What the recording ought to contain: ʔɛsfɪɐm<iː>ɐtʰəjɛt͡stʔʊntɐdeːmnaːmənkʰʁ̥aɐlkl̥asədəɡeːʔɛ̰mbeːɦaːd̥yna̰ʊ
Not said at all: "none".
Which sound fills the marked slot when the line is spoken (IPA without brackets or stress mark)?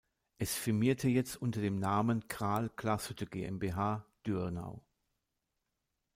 iː